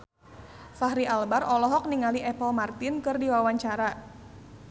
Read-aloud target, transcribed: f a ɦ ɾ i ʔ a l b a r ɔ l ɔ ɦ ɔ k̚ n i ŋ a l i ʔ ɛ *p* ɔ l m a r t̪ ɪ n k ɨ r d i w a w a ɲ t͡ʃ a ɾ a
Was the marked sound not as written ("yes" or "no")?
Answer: no